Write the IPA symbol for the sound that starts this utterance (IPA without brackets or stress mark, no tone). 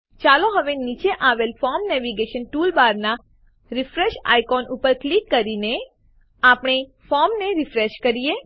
t͡ʃ